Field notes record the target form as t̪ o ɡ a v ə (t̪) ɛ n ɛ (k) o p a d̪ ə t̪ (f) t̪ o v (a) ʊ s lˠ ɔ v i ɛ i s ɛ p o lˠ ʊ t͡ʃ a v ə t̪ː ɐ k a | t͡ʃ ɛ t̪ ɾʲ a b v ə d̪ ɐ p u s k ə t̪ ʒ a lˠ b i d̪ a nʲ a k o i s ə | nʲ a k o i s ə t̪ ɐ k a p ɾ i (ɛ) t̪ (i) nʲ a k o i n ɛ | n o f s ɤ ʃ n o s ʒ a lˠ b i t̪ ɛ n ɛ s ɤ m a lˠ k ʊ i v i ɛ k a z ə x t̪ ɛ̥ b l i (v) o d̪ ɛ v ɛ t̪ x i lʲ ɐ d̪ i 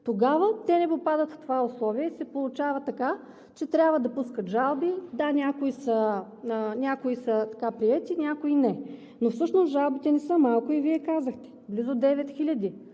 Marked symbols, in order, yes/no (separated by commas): yes, no, yes, yes, yes, yes, no